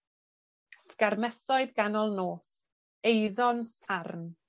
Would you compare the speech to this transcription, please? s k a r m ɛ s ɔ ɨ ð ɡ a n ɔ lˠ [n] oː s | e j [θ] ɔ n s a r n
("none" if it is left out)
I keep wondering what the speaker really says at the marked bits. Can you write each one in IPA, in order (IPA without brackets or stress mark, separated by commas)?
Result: n, ð